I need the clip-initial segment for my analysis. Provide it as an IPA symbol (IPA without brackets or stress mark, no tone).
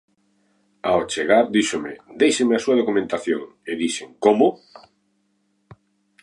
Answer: a